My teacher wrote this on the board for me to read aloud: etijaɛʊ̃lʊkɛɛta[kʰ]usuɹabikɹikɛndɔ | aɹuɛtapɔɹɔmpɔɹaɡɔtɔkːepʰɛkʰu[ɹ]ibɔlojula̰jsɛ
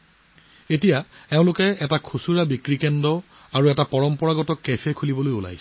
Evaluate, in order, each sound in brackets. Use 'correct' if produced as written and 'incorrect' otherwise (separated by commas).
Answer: correct, incorrect